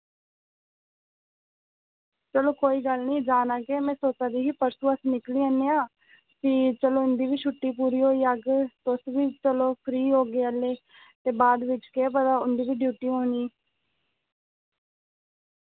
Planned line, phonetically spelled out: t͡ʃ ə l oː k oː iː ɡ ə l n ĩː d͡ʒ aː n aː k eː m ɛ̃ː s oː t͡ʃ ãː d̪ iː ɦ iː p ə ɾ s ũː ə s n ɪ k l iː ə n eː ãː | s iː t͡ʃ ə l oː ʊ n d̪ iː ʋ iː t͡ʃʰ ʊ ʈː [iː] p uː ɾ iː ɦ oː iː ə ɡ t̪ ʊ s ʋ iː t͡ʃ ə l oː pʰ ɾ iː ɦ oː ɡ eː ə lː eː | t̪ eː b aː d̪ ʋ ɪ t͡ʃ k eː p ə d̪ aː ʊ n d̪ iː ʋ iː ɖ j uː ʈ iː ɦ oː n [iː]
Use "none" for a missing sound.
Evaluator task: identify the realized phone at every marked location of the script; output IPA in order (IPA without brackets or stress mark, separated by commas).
iː, iː